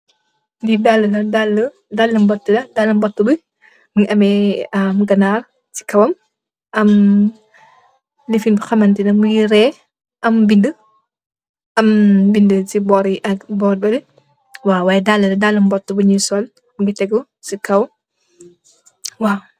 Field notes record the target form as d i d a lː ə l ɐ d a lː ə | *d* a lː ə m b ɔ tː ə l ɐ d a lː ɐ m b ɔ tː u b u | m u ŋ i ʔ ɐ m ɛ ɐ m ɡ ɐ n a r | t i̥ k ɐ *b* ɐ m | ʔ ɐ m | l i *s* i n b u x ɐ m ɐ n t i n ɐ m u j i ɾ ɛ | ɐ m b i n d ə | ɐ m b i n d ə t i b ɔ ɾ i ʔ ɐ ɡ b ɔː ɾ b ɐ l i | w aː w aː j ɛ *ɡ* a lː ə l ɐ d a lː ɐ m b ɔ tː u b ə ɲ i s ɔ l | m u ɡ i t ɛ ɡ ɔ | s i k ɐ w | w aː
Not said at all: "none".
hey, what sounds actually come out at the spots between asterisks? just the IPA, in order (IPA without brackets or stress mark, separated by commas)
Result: d, w, f, d